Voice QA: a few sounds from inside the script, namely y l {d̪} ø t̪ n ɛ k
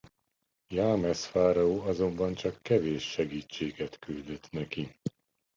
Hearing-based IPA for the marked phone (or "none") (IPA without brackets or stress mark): d̪